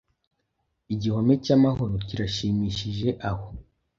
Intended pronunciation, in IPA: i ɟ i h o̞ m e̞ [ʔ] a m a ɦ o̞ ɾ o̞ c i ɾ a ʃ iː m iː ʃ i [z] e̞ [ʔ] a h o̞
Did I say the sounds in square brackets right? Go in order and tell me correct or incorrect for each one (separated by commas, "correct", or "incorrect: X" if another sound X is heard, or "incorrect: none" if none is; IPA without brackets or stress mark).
incorrect: c, incorrect: ʒ, correct